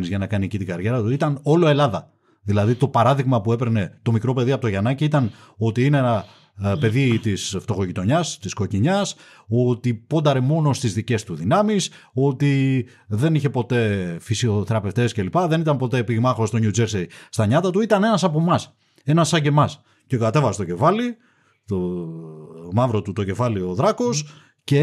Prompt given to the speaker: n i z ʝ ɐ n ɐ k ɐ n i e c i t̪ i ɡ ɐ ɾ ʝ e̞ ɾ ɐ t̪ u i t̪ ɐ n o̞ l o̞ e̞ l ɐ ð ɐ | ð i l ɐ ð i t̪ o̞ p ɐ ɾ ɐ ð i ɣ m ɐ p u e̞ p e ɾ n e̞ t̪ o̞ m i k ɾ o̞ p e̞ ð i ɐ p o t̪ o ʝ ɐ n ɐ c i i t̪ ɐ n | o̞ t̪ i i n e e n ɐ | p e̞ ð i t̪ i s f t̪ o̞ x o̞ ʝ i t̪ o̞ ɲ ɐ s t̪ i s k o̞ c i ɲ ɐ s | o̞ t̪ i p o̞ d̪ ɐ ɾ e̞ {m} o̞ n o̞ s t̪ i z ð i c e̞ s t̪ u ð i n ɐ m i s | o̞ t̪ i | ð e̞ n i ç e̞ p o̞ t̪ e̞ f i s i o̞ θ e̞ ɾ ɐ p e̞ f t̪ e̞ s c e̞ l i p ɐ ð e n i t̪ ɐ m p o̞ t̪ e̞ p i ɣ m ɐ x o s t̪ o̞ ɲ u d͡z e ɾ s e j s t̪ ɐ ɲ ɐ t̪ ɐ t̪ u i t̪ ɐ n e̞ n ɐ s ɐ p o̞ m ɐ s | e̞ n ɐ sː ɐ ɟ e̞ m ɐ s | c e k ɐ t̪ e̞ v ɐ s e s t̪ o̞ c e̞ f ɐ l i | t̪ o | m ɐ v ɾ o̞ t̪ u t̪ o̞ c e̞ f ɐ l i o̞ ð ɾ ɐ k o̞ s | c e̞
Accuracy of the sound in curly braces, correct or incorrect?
correct